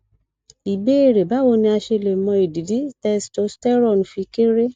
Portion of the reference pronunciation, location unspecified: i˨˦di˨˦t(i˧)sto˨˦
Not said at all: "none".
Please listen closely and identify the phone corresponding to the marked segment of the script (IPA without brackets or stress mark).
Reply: ɛ˧